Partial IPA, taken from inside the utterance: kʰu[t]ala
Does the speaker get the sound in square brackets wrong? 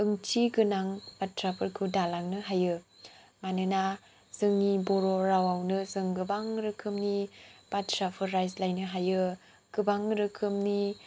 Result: yes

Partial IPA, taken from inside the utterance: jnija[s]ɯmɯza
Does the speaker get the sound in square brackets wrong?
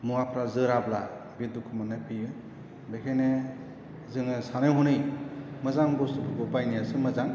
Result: no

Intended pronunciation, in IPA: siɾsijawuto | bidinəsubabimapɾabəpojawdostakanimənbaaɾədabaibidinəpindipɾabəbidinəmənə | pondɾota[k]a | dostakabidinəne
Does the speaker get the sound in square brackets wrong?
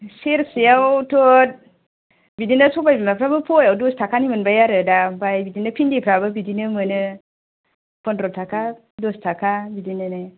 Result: no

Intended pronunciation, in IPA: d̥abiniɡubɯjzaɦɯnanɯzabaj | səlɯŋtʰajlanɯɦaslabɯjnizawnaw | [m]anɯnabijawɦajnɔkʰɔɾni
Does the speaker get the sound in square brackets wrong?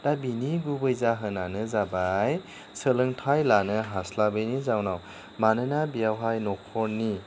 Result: no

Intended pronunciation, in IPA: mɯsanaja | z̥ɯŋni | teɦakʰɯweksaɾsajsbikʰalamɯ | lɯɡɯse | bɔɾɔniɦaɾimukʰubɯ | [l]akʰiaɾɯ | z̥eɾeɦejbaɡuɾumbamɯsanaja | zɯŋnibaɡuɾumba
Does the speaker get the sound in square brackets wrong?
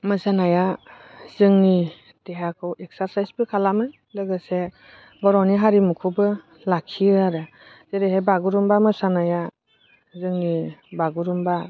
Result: no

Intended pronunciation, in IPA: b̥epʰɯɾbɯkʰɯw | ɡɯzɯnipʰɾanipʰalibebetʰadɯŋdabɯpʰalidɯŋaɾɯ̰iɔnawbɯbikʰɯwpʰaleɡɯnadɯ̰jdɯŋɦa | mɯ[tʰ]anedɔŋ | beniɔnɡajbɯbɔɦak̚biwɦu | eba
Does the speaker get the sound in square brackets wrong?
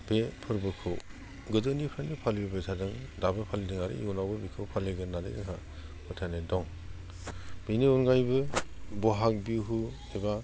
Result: no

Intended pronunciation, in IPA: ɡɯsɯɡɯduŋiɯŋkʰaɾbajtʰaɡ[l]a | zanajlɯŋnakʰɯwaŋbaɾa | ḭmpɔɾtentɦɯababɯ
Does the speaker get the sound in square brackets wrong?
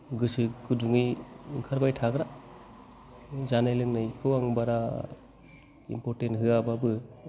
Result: yes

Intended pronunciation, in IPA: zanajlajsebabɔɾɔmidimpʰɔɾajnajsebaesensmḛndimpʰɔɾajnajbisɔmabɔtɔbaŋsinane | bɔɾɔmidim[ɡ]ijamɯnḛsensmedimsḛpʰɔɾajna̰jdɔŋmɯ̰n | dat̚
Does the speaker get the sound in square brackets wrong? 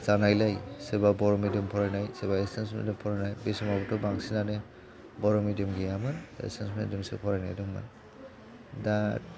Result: no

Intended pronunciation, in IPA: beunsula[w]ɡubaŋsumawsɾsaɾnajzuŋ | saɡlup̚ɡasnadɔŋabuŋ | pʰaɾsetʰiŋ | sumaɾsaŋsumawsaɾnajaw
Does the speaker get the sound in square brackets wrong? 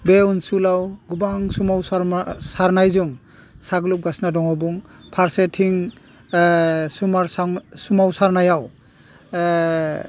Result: no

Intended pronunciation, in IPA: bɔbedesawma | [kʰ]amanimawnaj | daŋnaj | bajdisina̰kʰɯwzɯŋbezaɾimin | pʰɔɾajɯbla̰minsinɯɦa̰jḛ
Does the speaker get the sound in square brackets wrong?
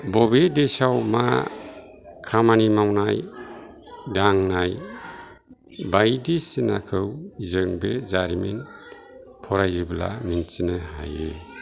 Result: no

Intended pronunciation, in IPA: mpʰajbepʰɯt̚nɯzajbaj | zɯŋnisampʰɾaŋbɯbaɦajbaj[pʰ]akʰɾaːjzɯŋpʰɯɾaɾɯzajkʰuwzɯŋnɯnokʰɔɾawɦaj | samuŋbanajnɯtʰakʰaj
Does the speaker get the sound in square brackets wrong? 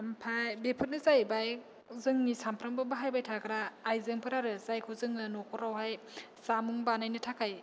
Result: yes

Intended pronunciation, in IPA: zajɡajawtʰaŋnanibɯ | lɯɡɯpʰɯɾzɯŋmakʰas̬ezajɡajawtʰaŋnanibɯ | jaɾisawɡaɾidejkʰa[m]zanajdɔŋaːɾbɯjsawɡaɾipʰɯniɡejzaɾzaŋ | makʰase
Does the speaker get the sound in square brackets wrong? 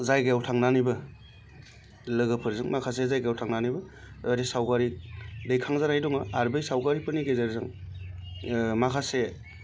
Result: yes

